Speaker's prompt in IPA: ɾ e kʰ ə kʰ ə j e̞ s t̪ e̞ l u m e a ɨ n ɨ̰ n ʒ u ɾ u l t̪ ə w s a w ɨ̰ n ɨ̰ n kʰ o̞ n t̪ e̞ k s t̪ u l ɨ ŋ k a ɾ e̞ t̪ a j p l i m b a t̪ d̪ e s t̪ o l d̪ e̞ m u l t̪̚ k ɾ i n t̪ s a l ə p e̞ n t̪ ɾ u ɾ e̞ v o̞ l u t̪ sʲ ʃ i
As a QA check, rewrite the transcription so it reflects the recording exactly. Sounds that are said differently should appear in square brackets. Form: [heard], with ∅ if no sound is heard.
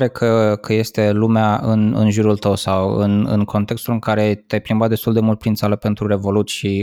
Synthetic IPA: ɾ e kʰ ə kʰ ə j e̞ s t̪ e̞ l u m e a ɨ n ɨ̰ n ʒ u ɾ u l t̪ ə w s a w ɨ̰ n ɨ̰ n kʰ o̞ n t̪ e̞ k s t̪ u l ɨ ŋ k a ɾ e̞ t̪ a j p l i m b a t̪ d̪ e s t̪ [u] l d̪ e̞ m u l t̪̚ [p] ɾ i n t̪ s a l ə p e̞ n t̪ ɾ u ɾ e̞ v o̞ l u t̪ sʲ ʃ i